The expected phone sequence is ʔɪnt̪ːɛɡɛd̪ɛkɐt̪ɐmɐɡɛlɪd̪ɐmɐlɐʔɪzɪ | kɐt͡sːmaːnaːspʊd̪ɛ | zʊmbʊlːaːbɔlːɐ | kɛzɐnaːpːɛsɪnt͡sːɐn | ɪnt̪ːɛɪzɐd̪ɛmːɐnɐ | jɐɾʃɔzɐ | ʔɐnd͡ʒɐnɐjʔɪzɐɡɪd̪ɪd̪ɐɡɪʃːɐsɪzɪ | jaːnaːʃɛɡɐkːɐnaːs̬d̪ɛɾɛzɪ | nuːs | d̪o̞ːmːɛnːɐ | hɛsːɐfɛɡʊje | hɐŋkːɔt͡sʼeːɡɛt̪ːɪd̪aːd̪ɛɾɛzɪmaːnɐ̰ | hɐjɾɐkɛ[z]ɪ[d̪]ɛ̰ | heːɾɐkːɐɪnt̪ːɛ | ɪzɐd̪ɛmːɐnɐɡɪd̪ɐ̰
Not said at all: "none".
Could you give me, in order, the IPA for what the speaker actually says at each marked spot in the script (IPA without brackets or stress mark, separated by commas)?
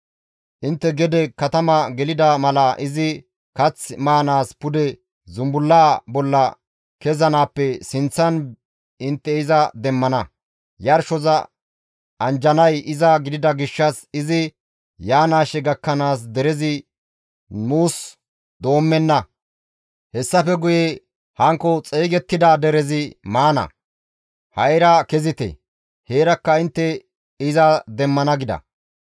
z, t̪